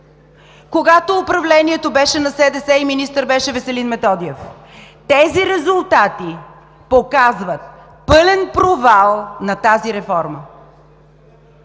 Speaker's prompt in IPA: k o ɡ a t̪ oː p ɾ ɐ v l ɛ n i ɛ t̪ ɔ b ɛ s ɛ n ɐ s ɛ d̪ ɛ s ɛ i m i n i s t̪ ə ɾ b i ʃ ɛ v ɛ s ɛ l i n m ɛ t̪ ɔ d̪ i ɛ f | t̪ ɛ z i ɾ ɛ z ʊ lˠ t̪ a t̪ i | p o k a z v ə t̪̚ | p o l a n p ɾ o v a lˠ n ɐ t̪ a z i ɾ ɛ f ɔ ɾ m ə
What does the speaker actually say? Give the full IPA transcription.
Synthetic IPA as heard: k o ɡ a t̪ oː p ɾ ɐ v l ɛ n i ɛ t̪ o b ɛ ʃ ɛ n ɐ s ɛ d̪ ɛ s ɛ i m i n i s t̪ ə ɾ b ɛ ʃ ɛ v ɛ s ɛ l i n m ɛ t̪ ɔ d̪ i ɛ f | t̪ ɛ z i ɾ ɛ z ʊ lˠ t̪ a t̪ i | p o k a z v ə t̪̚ | p ɤ l ɛ n p ɾ o v a lˠ n ɐ t̪ a z i ɾ ɛ f ɔ ɾ m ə